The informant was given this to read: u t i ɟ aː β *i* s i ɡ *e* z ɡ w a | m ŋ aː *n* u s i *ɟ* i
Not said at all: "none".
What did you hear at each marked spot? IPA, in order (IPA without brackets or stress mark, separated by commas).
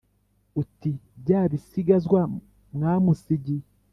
i, a, m, ɟ